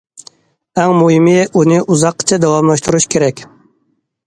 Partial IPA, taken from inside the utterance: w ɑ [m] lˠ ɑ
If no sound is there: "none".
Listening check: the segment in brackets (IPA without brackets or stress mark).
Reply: m